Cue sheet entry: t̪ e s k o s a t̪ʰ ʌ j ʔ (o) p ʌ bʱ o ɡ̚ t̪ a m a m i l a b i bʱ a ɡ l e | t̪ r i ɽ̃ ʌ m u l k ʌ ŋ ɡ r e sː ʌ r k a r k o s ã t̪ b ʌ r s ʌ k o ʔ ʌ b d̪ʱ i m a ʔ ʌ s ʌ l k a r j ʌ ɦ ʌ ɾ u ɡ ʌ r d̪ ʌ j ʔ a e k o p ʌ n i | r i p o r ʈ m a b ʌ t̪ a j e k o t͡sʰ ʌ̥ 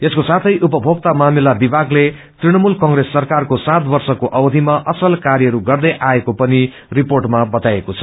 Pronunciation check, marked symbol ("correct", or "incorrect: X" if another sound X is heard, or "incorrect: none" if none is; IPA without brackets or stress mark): incorrect: u